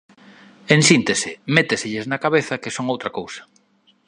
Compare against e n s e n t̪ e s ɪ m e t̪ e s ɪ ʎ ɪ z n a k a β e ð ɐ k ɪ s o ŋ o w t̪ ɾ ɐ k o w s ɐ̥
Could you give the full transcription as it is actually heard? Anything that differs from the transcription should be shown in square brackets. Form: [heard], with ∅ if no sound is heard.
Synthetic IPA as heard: e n s [i] n t̪ e s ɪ m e t̪ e s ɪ ʎ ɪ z n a k a β e [θ] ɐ k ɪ s o ŋ o w t̪ ɾ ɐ k o w s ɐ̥